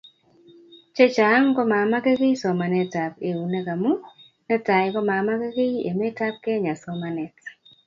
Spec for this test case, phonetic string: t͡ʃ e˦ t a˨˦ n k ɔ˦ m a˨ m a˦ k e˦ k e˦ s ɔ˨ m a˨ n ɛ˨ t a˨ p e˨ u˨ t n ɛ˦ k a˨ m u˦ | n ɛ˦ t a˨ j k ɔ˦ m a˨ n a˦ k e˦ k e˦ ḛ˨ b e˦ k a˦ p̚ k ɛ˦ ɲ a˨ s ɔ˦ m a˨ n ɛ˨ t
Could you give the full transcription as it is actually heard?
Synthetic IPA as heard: t͡ʃ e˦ t͡ʃ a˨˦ ŋ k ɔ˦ m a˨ m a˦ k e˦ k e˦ s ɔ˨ m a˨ n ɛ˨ t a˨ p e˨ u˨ n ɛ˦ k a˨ m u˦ | n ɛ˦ t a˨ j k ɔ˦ m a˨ m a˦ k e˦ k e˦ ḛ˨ m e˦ t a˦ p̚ k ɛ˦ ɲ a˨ s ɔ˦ m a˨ n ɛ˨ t